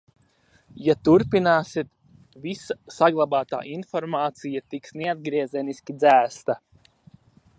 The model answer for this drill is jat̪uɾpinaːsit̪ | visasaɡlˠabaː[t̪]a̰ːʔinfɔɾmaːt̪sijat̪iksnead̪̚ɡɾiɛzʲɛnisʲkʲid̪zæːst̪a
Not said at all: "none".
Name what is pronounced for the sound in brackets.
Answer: t̪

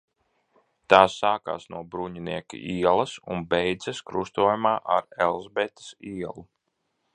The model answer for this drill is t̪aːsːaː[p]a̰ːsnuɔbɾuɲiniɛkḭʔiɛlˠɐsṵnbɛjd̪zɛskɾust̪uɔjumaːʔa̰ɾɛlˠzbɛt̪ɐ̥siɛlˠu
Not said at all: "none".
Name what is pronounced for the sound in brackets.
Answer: k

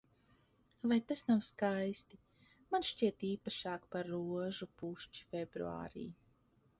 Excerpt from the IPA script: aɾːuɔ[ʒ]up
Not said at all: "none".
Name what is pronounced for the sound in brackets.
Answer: ʒ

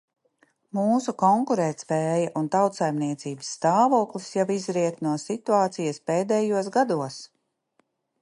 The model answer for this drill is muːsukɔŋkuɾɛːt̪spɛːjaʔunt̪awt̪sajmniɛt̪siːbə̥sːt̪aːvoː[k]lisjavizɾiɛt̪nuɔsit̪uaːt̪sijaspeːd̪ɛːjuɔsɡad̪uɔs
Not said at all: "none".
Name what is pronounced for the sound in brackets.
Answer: k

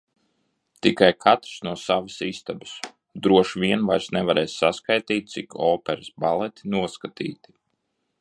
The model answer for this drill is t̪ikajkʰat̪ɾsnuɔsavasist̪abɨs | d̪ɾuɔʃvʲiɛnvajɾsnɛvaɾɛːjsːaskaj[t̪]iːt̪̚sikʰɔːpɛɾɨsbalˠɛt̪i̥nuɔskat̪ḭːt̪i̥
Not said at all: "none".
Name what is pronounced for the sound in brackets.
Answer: t̪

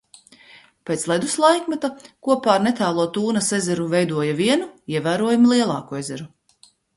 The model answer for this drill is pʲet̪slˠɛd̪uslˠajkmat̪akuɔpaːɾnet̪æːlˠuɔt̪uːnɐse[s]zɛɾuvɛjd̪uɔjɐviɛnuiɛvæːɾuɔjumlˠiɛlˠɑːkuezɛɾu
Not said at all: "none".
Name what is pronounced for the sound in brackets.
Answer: none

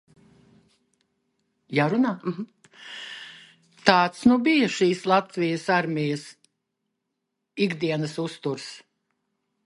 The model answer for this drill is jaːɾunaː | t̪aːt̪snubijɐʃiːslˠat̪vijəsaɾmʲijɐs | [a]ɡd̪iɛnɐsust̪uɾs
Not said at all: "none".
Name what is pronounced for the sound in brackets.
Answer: i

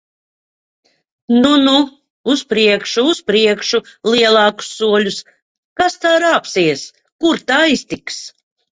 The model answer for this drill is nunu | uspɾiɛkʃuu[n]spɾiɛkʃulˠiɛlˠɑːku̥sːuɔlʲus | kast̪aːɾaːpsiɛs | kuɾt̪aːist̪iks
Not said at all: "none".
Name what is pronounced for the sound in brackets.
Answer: none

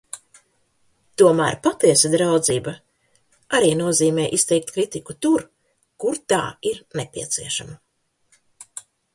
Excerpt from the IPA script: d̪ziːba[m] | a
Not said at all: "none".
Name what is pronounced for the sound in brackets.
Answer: none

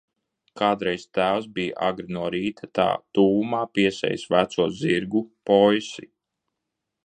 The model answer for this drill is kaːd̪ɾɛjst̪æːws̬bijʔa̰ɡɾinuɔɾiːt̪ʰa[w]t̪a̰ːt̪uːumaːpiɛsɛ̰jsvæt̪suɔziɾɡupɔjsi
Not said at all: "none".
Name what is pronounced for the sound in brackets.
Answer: none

